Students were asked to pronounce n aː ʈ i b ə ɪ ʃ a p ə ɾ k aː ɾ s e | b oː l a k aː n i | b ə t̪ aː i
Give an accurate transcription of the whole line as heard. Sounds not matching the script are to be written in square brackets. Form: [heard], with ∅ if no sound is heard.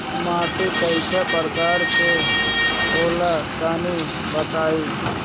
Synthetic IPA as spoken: [m] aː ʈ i [p] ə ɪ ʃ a p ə ɾ k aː ɾ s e | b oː l a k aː n i | b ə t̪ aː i